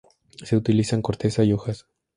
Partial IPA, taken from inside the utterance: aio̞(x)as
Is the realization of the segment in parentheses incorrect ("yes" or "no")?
no